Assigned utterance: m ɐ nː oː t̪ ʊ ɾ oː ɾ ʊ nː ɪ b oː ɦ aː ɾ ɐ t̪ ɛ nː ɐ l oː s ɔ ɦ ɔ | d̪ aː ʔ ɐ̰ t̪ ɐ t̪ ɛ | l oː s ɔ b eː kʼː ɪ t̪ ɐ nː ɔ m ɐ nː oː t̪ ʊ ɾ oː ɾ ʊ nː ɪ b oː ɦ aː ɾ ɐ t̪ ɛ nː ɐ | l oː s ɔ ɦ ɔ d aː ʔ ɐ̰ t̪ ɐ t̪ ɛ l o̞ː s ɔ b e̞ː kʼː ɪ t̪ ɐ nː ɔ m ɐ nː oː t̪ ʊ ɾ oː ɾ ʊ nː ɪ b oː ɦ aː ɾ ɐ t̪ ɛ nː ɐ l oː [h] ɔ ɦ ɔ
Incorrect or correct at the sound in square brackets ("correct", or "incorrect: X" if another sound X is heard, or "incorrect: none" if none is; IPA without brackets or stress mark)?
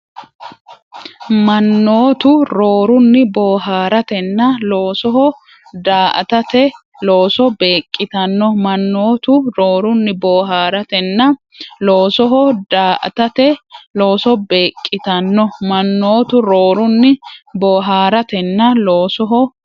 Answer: incorrect: s